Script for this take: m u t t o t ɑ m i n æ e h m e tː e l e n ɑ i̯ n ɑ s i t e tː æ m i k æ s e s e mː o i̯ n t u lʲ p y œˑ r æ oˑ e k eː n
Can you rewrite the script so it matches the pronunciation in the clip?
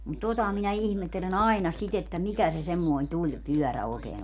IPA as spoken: m u t t o t ɑ m i n æ i h m e tː e l e n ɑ i̯ n ɑ s i t e tː æ m i k æ s e s e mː o i̯ n t u lʲ p y œˑ r æ oˑ e k eː n